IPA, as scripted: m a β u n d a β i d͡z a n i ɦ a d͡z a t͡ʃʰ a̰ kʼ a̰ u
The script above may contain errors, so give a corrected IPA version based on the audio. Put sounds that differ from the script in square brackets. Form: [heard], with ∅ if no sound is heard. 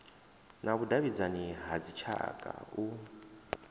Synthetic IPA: [n] a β u [∅] d a β i d͡z a n i ɦ a d͡z [i] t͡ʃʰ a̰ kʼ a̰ u